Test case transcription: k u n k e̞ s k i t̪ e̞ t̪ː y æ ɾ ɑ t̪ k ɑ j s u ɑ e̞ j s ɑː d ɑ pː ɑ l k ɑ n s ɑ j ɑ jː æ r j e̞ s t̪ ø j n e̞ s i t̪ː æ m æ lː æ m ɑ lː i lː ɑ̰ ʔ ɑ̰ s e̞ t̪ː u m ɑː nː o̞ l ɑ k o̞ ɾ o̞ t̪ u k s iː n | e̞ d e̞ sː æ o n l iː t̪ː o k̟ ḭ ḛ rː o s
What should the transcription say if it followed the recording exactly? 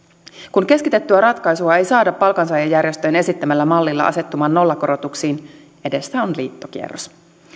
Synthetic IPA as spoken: k u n k e̞ s k i t̪ e̞ t̪ː y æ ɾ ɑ t̪ k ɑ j s u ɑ e̞ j s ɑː d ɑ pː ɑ l k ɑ n s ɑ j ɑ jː æ r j e̞ s t̪ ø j n e̞ s i t̪ː æ m æ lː æ m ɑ lː i lː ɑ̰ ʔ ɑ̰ s e̞ t̪ː u m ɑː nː o̞ lː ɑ k o̞ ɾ o̞ t̪ u k s iː n | e̞ d e̞ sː æ o n l iː t̪ː o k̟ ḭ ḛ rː o s